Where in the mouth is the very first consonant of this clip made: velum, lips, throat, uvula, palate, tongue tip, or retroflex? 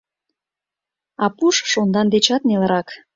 lips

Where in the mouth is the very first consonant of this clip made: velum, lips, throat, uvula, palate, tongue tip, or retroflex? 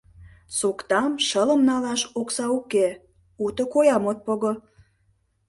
tongue tip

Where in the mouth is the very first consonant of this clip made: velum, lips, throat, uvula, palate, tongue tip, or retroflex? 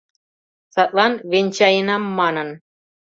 tongue tip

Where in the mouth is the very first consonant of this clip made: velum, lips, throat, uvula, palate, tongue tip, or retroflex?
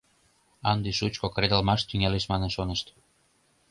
tongue tip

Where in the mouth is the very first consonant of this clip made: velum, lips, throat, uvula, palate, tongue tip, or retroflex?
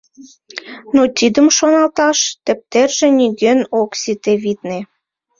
tongue tip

